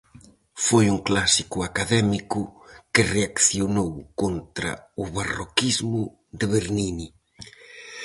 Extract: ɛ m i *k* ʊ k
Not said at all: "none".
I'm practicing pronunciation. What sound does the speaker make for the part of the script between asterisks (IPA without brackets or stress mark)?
k